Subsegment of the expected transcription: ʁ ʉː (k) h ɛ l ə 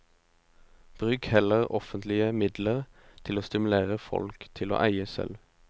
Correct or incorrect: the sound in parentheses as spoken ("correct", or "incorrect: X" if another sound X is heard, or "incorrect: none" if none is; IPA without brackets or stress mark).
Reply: correct